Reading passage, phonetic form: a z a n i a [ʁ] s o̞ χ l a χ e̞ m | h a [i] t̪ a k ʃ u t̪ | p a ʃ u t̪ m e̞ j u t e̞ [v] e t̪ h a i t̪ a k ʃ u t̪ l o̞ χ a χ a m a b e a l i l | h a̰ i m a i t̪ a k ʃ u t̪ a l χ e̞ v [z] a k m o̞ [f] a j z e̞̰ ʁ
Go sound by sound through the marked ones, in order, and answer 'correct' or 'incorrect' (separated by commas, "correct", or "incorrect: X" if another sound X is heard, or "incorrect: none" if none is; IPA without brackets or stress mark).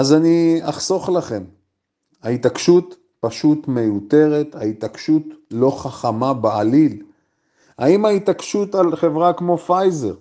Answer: incorrect: χ, correct, incorrect: ʁ, incorrect: ʁ, correct